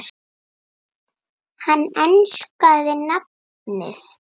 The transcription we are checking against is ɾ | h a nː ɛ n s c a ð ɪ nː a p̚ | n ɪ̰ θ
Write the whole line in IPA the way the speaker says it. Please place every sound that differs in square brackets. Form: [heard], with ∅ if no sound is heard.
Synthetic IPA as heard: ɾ | h a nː ɛ n s [k] a ð ɪ [n] a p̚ | n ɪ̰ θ